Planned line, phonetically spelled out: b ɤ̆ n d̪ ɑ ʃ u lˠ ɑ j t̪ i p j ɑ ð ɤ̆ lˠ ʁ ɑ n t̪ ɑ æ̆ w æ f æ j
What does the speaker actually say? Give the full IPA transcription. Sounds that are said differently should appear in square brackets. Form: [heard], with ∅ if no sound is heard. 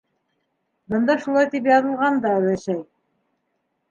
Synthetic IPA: b ɤ̆ n d̪ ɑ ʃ u lˠ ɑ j t̪ i p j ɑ ð ɤ̆ lˠ ʁ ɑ n [d̪] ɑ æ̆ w æ [ʃ] æ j